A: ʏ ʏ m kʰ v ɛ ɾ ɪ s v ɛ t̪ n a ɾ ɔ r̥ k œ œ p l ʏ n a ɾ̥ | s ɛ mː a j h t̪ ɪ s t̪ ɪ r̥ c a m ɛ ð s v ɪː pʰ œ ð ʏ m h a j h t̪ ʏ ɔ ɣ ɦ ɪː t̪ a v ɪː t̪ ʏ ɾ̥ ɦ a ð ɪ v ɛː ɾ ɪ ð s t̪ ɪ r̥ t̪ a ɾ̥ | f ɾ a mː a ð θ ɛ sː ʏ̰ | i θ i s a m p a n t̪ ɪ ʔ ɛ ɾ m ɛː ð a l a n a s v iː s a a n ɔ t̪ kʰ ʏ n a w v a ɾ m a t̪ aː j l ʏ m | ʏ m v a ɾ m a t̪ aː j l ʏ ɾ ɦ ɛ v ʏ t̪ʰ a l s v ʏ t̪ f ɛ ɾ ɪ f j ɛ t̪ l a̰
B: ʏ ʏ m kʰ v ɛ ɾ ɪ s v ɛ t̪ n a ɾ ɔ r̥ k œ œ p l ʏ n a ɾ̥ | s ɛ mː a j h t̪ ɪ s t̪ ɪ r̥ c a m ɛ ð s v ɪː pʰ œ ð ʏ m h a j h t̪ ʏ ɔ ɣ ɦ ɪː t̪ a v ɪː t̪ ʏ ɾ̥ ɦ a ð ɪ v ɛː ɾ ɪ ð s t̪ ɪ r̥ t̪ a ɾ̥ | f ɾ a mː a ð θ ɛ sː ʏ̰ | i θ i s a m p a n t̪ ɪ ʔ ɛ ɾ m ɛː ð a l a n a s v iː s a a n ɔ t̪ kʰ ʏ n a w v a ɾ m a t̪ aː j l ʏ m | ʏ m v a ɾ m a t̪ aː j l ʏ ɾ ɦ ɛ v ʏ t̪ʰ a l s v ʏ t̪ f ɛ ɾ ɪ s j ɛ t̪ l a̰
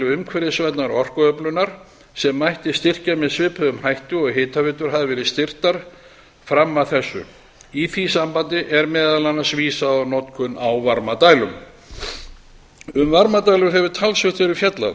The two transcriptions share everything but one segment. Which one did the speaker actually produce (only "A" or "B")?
A